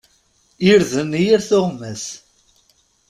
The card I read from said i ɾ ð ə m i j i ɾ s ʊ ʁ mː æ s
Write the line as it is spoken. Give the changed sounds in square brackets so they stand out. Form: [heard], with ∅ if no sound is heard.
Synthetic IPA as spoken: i ɾ ð ə [n] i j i ɾ [θ] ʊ ʁ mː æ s